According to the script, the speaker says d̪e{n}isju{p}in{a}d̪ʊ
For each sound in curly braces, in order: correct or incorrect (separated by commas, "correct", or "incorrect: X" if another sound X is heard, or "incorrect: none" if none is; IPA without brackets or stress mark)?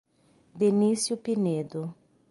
correct, correct, incorrect: e